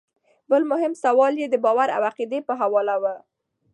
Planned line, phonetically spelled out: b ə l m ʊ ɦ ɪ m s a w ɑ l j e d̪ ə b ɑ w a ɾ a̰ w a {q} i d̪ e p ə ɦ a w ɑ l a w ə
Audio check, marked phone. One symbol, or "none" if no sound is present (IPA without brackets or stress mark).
q